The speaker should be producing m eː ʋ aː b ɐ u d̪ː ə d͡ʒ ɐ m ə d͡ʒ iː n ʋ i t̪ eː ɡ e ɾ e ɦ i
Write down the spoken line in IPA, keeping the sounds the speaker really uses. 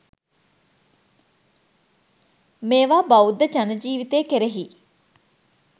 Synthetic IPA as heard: m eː ʋ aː b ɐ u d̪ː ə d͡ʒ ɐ n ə d͡ʒ iː ʋ i t̪ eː k e ɾ e ɦ i